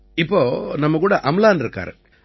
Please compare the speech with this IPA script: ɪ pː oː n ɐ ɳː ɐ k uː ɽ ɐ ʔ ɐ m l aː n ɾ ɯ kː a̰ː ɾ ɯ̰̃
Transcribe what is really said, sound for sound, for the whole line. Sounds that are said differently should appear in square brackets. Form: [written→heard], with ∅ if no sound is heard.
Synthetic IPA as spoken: ɪ pː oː n ɐ [ɳː→mː] ɐ k uː ɽ ɐ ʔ ɐ m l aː n ɾ ɯ kː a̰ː ɾ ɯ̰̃